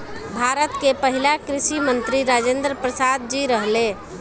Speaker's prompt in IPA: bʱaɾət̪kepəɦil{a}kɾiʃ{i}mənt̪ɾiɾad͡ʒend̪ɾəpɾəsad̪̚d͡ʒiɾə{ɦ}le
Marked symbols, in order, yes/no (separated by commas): yes, yes, yes